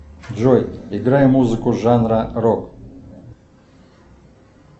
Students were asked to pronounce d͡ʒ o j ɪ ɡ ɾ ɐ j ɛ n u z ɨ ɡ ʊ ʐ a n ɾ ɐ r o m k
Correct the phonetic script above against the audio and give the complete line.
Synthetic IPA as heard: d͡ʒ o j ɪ ɡ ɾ a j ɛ m u z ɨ k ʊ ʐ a n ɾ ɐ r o k